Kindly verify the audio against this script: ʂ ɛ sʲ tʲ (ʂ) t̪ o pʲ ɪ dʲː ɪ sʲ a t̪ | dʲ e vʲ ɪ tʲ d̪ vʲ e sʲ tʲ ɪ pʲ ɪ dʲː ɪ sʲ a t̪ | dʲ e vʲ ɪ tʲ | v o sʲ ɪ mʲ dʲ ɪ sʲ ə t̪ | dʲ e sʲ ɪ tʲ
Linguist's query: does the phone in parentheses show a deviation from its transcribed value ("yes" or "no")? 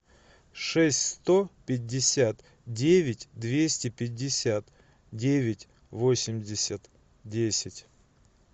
yes